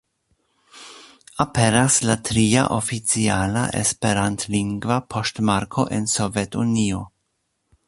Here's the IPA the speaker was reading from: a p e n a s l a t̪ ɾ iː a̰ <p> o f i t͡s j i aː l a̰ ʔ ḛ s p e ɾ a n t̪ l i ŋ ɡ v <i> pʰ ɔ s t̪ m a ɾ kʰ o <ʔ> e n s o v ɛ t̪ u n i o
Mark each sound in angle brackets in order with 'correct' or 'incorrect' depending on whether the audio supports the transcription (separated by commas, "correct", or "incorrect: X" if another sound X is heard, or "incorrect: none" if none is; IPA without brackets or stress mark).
incorrect: ʔ, incorrect: a, correct